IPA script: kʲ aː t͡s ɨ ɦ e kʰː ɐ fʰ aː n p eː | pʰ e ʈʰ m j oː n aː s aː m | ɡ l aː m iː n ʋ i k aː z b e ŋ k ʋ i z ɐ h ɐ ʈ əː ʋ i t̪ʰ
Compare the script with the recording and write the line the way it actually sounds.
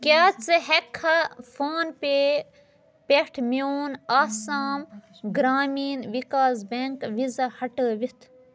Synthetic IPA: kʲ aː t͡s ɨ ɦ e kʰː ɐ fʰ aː n p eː | p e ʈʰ m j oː n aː s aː m | ɡ ɾ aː m iː n ʋ i k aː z b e ŋ k ʋ i z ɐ h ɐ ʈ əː ʋ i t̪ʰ